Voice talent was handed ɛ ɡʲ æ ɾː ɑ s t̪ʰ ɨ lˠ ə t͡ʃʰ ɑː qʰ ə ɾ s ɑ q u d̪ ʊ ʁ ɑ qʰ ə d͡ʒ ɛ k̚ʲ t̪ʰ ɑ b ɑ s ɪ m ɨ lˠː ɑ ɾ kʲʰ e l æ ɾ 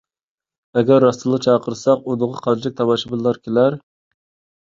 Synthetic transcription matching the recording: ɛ ɡʲ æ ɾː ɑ s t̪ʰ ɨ lˠ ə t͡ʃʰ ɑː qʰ ə ɾ s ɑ q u d̪ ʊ ʁ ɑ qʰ ɑ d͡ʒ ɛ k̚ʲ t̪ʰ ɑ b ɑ ʃ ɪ b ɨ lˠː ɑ ɾ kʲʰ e l æ ɾ